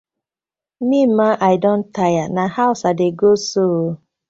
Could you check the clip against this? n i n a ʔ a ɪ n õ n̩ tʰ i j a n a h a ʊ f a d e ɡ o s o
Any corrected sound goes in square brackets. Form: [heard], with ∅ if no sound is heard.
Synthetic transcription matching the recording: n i [m] a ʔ a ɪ [d] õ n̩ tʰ [a] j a n a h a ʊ [s] a d e ɡ o s o